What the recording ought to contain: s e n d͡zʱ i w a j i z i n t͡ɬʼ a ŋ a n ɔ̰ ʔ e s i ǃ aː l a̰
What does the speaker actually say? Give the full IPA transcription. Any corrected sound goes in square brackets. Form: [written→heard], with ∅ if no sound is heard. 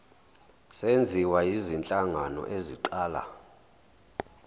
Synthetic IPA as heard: s e n d͡zʱ i w a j i z i n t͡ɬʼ a ŋ a n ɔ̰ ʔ e [s→z] i ǃ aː l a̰